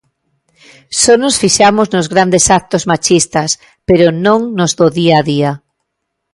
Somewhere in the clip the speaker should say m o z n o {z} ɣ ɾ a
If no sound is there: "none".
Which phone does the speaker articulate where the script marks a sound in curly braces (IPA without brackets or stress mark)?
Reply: z